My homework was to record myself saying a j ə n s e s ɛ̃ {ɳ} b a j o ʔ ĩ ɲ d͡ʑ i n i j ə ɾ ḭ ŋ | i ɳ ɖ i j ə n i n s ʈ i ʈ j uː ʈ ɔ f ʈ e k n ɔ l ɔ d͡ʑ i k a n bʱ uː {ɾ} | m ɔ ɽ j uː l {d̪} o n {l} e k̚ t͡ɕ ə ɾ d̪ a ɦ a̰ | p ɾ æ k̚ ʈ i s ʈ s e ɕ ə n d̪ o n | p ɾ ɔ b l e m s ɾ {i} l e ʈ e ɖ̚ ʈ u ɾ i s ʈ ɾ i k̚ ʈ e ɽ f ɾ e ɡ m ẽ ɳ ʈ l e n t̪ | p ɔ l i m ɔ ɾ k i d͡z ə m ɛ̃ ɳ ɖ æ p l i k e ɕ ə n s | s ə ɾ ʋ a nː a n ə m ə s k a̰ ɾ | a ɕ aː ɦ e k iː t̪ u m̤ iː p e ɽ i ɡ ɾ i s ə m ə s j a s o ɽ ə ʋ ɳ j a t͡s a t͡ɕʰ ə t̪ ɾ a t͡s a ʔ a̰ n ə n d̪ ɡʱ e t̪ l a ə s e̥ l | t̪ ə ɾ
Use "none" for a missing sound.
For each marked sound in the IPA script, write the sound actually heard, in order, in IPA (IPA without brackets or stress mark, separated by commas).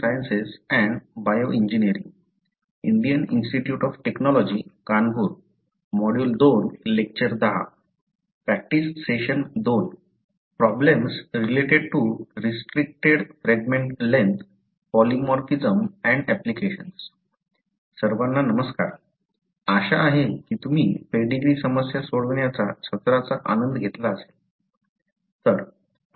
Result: ɳ, ɾ, d̪, l, i